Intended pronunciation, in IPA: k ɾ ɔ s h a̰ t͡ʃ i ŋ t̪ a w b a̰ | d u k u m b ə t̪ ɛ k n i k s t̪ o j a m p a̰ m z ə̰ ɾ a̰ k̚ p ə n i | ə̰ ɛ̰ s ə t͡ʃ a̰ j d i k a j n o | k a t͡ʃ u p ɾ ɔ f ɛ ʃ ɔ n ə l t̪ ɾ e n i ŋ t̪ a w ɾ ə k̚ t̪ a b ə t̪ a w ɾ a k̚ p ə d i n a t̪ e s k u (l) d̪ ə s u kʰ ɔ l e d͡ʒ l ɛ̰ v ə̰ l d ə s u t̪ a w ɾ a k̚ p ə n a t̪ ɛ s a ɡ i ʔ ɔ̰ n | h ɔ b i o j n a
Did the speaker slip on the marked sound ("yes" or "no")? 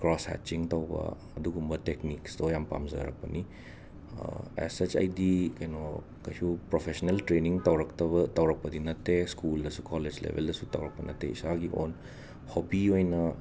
no